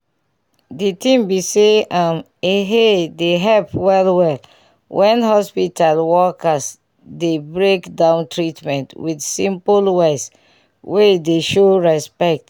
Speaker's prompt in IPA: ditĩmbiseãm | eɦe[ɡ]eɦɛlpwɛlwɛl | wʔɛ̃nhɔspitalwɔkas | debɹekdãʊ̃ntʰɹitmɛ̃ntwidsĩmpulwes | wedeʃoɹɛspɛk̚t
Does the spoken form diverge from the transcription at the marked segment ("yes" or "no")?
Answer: yes